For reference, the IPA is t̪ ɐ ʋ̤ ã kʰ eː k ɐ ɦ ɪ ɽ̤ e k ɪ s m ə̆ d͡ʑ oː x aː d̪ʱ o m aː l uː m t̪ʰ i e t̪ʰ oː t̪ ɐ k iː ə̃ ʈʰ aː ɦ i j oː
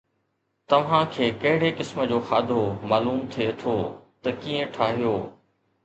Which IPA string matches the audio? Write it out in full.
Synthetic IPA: t̪ ɐ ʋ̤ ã kʰ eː k ɐ ɦ ɪ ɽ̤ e k ɪ s m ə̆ d͡ʑ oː x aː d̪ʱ o m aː l uː m t̪ʰ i e t̪ʰ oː t̪ ɐ k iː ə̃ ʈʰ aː ɦ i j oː

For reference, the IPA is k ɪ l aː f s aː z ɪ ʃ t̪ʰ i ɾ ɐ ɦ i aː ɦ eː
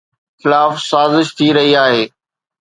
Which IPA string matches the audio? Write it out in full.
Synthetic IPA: x ɪ l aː f s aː z ɪ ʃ t̪ʰ i ɾ ɐ ɦ i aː ɦ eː

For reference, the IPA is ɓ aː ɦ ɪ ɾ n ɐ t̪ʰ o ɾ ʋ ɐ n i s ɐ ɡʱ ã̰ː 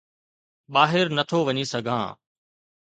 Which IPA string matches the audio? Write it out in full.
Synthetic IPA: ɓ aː ɦ ɪ ɾ n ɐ t̪ʰ o ʋ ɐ ɲ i s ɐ ɡʱ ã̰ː

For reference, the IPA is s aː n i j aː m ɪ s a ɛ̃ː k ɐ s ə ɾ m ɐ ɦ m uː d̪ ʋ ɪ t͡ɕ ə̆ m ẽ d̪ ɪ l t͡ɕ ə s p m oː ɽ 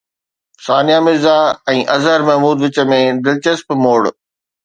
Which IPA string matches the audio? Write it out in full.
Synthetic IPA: s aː n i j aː m ɪ z a ɛ̃ː ʔ ɐ z ə ɾ m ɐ ɦ m uː d̪ ʋ ɪ t͡ɕ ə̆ m ẽ d̪ ɪ l t͡ɕ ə s p m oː ɽ

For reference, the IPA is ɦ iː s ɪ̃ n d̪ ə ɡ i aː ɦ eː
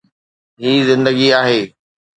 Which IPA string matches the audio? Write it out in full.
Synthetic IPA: ɦ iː z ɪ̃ n d̪ ə ɡ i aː ɦ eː

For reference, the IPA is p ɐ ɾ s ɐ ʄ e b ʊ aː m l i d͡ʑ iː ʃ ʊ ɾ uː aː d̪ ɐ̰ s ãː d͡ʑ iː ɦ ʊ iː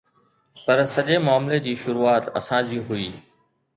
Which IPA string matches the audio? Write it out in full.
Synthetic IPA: p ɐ ɾ s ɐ ʄ e m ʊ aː m l e d͡ʑ iː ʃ ʊ ɾ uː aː t̪ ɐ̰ s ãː d͡ʑ iː ɦ ʊ iː

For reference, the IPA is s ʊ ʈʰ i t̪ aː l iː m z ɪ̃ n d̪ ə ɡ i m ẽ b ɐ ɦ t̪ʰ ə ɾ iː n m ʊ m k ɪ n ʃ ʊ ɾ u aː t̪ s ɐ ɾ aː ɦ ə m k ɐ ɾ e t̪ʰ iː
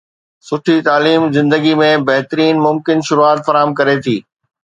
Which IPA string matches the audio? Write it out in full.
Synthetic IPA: s ʊ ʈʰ i t̪ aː l iː m z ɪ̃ n d̪ ə ɡ i m ẽ b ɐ ɦ t̪ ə ɾ iː n m ʊ m k ɪ n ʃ ʊ ɾ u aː t̪ f ɐ ɾ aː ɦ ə m k ɐ ɾ e t̪ʰ iː

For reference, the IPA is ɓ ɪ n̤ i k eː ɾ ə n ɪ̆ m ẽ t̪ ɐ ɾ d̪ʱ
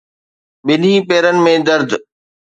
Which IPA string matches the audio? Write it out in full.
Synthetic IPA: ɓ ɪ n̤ i p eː ɾ ə n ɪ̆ m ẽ d̪ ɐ ɾ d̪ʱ

